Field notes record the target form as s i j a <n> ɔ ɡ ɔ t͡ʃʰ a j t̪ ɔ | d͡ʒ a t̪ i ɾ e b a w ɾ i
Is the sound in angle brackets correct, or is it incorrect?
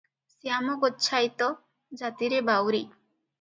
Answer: incorrect